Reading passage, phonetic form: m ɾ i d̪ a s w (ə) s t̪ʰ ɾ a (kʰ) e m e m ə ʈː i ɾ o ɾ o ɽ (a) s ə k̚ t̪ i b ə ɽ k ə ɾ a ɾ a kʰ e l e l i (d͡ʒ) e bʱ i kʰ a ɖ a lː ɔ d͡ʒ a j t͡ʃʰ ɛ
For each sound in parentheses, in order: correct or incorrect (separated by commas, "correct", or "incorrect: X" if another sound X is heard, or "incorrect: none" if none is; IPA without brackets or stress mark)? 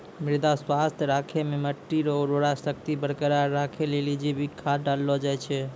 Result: incorrect: a, correct, correct, correct